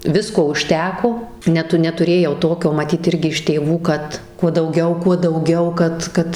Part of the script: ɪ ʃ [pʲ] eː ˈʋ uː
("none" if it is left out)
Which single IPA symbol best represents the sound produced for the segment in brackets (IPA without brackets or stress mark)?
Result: tʲ